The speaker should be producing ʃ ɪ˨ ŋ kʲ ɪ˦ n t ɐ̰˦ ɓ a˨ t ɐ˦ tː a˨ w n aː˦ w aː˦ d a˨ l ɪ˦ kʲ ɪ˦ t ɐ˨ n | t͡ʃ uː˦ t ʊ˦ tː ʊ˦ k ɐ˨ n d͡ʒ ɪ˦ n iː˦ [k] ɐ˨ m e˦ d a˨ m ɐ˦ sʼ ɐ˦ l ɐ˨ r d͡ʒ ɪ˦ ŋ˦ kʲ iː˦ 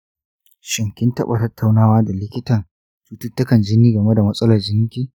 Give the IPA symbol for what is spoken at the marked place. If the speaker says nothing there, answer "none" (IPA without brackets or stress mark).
ɡ